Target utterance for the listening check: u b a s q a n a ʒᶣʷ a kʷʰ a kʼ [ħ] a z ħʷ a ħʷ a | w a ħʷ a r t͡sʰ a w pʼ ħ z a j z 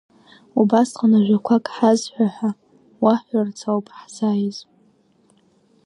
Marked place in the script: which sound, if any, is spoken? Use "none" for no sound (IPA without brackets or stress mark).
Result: ħ